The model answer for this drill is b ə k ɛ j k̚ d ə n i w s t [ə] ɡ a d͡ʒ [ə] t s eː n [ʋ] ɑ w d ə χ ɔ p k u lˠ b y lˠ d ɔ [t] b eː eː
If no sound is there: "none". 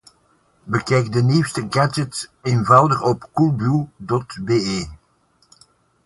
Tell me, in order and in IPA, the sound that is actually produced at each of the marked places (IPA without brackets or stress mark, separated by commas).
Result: ə, ə, v, t